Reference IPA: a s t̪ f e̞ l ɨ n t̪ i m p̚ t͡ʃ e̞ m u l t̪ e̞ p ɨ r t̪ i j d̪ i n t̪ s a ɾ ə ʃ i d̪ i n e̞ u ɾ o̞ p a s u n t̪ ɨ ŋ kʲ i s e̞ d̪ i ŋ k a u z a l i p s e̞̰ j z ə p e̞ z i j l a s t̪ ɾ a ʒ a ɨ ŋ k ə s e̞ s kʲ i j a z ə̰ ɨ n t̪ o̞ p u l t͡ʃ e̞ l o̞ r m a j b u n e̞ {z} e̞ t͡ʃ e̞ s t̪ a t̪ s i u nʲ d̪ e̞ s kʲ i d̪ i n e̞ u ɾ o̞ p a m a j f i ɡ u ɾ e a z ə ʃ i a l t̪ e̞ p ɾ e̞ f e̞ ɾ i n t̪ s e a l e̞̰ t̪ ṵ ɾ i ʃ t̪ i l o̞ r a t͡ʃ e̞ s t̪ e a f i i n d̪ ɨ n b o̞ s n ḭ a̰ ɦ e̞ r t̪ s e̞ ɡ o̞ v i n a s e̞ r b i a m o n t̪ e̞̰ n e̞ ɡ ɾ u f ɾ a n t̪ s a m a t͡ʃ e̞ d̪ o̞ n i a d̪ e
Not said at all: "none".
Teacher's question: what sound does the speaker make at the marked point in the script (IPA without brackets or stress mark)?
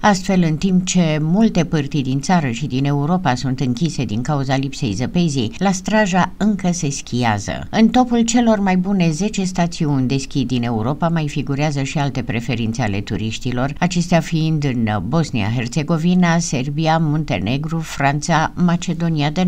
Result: z